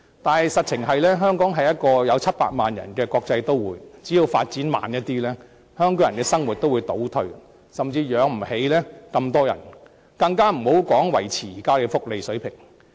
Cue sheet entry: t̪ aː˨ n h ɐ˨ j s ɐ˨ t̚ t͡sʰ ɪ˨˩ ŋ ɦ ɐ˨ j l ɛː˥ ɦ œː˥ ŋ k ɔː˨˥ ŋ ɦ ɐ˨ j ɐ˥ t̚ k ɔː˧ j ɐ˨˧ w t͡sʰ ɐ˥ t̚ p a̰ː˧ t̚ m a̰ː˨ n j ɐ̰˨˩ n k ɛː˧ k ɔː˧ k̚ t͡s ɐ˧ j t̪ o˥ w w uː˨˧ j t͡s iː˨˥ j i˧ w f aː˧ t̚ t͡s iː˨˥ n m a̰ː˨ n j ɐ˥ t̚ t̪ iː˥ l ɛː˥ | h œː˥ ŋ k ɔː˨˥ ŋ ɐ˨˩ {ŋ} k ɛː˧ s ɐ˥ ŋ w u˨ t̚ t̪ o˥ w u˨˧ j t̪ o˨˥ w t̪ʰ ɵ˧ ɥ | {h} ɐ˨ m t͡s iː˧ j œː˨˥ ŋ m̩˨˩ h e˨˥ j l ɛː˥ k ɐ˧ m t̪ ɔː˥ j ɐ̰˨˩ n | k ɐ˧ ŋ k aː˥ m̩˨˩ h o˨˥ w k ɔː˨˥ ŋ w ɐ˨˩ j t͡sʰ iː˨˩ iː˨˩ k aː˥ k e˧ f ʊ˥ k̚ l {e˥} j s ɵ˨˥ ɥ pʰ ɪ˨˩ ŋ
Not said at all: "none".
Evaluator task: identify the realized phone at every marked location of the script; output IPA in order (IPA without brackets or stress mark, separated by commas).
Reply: n, s, e˨